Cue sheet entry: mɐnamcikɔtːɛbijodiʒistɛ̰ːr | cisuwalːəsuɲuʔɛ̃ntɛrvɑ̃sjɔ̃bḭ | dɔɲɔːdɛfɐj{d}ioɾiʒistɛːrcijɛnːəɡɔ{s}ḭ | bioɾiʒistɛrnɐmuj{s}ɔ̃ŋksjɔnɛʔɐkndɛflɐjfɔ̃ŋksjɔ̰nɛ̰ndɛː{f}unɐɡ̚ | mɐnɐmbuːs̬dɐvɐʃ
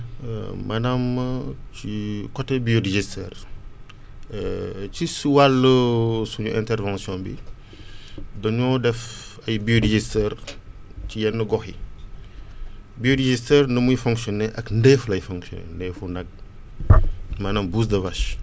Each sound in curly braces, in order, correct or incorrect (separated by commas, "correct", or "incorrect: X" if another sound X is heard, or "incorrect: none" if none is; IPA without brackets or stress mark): incorrect: b, incorrect: x, incorrect: f, correct